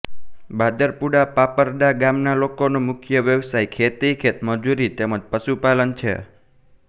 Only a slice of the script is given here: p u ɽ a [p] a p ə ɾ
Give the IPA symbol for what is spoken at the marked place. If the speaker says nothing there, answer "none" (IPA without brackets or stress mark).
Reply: p